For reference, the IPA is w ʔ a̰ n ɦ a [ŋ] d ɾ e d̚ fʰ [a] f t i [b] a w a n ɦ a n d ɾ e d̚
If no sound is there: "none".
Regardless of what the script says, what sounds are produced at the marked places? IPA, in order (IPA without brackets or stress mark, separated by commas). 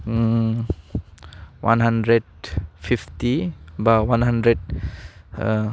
n, i, b